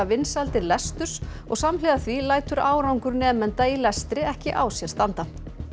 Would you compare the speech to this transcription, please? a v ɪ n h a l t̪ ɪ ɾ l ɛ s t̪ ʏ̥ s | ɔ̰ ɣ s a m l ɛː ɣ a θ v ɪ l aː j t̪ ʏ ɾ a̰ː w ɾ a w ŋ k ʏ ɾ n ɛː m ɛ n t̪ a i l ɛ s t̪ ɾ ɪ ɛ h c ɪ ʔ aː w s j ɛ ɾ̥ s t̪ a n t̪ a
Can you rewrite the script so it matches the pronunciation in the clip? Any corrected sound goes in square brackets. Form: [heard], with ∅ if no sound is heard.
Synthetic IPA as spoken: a v ɪ n [s] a l t̪ ɪ ɾ l ɛ s t̪ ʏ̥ s | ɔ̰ ɣ s a m l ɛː ɣ a θ v [i] l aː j t̪ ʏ ɾ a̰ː w ɾ a w ŋ k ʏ ɾ n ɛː m ɛ n t̪ a i l ɛ s t̪ ɾ ɪ ɛ h c ɪ ʔ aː w s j ɛ ɾ̥ s t̪ a n t̪ a